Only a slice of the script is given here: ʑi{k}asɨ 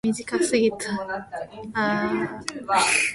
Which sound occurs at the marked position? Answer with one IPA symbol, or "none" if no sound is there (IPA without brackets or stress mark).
k